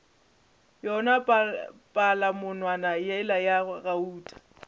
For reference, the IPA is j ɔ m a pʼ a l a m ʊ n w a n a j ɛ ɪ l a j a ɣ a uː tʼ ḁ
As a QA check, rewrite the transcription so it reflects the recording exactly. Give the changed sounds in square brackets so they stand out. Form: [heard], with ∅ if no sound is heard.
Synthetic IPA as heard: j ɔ [n] a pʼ a l a m ʊ n w a n a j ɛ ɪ l a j a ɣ a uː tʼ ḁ